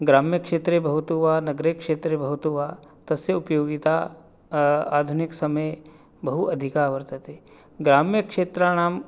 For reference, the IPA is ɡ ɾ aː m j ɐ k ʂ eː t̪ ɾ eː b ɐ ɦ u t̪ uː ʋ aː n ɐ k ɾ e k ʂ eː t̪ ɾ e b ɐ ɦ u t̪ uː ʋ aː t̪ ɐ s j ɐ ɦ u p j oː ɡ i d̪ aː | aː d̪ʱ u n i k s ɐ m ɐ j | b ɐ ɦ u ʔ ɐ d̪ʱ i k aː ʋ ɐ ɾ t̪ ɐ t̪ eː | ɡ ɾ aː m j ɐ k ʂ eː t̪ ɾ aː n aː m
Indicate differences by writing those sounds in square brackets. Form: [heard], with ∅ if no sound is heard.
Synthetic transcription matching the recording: ɡ ɾ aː m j ɐ k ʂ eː t̪ ɾ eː b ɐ ɦ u t̪ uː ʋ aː n ɐ [ɡ] ɾ e k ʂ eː t̪ ɾ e b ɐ ɦ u t̪ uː ʋ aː t̪ ɐ s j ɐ [∅] u p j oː ɡ i [t̪] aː | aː d̪ʱ u n i k s ɐ m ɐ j | b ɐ ɦ u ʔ ɐ d̪ʱ i k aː ʋ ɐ ɾ t̪ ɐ t̪ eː | ɡ ɾ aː m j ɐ k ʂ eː t̪ ɾ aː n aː m